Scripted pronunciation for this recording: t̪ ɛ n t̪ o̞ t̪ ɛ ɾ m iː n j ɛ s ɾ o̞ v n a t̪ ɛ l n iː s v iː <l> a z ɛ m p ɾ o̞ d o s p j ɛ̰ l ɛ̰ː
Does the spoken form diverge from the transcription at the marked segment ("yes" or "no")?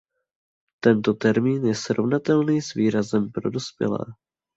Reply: yes